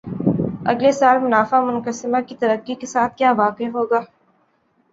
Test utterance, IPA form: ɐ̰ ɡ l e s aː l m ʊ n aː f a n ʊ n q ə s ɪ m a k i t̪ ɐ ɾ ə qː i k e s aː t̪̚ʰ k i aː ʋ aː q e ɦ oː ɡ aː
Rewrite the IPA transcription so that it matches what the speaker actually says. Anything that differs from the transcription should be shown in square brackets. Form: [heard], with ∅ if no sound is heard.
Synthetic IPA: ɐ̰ ɡ l e s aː l m ʊ n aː f a [m] ʊ n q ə s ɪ m a k i t̪ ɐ ɾ ə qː i k e s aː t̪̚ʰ k [j] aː ʋ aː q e ɦ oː ɡ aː